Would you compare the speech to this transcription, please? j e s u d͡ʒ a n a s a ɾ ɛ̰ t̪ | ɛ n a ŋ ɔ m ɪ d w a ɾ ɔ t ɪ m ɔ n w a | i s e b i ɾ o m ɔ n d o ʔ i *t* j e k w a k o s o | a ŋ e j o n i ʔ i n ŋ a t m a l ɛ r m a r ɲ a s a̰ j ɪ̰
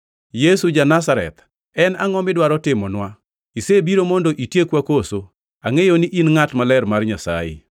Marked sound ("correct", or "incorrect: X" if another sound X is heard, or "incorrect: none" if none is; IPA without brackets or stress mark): correct